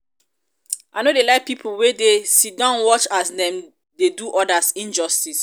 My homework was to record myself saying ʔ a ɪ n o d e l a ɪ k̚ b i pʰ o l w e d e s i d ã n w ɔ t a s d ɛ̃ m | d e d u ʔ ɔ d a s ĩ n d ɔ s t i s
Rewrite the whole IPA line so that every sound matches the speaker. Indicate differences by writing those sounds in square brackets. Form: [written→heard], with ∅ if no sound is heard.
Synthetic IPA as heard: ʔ a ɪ n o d e l a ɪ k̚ [b→p] i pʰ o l w e d e s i d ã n w ɔ [t→t͡ʃ] a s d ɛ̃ m | d e d u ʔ ɔ d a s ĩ n [d→d͡ʒ] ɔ s t i s